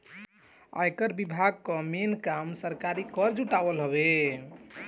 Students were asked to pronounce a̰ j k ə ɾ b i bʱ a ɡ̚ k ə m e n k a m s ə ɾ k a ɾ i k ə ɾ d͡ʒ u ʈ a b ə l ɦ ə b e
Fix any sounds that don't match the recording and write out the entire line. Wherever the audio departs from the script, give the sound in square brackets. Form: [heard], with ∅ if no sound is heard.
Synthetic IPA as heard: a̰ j k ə ɾ b i bʱ a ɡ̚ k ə m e n k a m s ə ɾ k a ɾ i k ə ɾ d͡ʒ u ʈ a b ə l ɦ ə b e